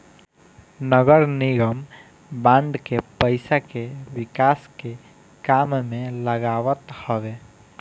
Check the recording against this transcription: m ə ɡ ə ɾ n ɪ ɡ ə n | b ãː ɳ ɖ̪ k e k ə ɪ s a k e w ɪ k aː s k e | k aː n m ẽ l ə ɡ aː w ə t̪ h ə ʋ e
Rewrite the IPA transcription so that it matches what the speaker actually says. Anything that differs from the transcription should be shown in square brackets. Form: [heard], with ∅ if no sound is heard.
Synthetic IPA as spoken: [n] ə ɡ ə ɾ n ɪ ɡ ə [m] | b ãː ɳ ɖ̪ k e [p] ə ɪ s a k e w ɪ k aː s k e | k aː [m] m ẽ l ə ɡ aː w ə t̪ h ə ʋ e